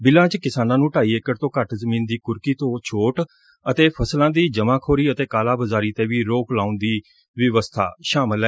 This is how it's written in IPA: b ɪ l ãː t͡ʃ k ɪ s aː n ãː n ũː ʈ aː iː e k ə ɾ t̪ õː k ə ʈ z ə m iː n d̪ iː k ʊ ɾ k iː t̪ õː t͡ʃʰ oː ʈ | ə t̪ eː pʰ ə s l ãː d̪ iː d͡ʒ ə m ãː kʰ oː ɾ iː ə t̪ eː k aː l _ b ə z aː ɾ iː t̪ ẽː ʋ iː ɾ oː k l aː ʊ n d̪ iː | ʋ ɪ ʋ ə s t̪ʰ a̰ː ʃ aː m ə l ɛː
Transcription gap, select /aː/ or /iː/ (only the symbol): aː